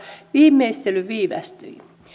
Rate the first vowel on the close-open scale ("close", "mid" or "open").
close